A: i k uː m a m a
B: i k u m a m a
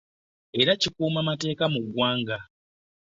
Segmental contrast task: A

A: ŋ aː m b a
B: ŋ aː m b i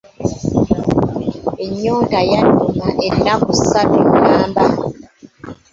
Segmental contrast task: A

